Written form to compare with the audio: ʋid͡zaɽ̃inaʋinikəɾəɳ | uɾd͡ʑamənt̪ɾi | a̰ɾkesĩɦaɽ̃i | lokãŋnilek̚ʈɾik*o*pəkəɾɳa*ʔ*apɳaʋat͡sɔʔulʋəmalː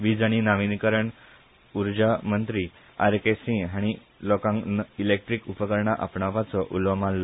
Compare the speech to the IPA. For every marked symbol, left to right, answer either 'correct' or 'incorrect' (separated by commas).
incorrect, correct